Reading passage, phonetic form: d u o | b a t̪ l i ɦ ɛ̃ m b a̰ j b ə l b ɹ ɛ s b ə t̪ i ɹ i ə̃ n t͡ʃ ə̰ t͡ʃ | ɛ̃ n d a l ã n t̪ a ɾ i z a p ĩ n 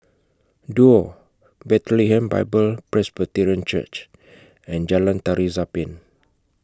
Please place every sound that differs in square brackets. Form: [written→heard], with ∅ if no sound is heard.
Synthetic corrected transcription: d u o | b [a→ɛ] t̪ l i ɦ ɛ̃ m b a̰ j b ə l [b→p] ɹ ɛ s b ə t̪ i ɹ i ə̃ n t͡ʃ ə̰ t͡ʃ | ɛ̃ n [d→d͡ʒ] a l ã n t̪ a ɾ i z a p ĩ n

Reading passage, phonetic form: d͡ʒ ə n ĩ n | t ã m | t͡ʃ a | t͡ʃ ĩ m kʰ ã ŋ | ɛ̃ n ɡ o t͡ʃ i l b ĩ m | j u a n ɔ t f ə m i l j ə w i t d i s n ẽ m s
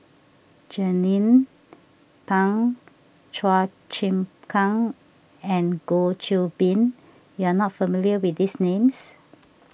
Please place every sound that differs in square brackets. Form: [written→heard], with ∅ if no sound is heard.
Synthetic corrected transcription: d͡ʒ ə n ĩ n | [t→p] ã [m→ŋ] | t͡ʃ a | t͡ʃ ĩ m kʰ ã ŋ | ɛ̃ n ɡ o t͡ʃ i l b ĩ [m→n] | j u a n ɔ t f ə m i l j ə w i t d i s n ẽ m s

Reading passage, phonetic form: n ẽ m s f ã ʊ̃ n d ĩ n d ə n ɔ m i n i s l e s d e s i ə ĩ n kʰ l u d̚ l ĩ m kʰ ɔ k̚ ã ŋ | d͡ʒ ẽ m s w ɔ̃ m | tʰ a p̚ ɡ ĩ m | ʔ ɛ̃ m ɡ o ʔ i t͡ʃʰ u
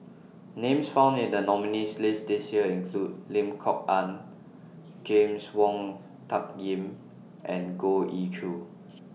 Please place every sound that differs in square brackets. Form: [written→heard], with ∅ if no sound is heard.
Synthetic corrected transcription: n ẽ m s f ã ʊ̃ n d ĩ n d ə n ɔ m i n i s l e s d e s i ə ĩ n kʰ l u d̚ l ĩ m kʰ ɔ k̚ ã [ŋ→n] | d͡ʒ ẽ m s w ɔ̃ [m→ŋ] | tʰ a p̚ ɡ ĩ m | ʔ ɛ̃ [m→n] ɡ o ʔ i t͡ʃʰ u

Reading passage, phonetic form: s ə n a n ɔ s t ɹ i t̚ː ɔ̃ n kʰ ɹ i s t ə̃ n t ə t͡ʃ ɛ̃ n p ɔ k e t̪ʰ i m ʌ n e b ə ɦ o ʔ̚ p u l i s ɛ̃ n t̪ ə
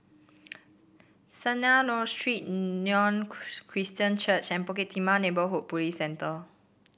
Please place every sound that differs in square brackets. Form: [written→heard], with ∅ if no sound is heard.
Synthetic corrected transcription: s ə n a n ɔ s t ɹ i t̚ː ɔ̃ n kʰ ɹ i s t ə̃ n [t→t͡ʃ] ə t͡ʃ ɛ̃ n p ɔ k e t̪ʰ i m [ʌ→a] n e b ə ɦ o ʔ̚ p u l i s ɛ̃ n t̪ ə

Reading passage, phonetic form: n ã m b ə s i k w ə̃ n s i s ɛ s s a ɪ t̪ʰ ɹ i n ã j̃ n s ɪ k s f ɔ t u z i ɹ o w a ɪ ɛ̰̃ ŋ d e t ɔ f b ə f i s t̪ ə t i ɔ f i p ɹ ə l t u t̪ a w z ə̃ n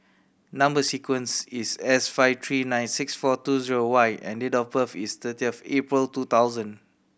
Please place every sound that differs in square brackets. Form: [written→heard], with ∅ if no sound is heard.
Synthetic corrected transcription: n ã m b ə s i k w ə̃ n s i s ɛ s [s→f] a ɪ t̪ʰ ɹ i n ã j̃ n s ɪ k s f ɔ t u z i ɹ o w a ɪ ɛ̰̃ [ŋ→n] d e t ɔ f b ə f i s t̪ ə t i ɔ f [i→e] p ɹ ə l t u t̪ a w z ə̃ n

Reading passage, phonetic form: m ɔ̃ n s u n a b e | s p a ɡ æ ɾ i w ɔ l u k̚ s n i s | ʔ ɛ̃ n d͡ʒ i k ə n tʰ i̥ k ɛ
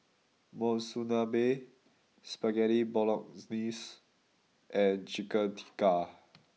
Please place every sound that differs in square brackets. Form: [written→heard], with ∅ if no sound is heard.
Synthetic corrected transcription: m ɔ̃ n s u n a b e | s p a ɡ [æ→ɛ] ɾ i [w→b] ɔ l [u→ɔ] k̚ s n i s | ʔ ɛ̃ n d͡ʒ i k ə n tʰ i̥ k [ɛ→a]

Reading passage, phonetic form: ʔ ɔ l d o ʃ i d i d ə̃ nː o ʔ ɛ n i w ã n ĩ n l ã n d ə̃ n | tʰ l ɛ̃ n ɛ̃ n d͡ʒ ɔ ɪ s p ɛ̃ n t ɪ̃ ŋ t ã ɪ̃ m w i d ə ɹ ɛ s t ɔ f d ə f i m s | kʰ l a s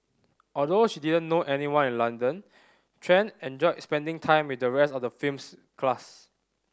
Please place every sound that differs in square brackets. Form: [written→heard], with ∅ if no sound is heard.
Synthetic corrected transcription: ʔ ɔ l d o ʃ i d i d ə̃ nː o ʔ ɛ n i w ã n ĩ n l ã n d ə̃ n | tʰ [l→ɹ] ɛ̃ n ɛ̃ n d͡ʒ ɔ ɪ s p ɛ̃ n [t→d] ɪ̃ ŋ [t→tʰ] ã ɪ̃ m w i d ə ɹ ɛ s t ɔ f d ə f i m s | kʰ l a s

